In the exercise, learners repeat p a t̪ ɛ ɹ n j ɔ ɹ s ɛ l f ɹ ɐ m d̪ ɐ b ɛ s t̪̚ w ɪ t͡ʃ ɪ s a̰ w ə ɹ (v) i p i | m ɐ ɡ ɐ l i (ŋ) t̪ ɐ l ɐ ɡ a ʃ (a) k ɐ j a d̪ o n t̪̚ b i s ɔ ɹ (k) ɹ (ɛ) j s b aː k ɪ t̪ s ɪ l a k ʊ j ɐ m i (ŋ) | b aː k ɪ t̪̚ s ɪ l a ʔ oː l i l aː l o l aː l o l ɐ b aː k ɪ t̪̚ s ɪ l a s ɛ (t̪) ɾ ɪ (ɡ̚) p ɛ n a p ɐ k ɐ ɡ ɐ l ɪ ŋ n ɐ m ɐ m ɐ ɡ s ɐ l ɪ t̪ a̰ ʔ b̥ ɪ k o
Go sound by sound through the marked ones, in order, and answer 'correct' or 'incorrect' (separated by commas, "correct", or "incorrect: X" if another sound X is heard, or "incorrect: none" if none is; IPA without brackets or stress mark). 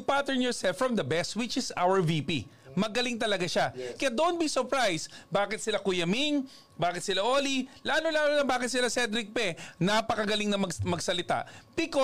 correct, correct, correct, incorrect: p, incorrect: a, correct, incorrect: d̪, incorrect: k̚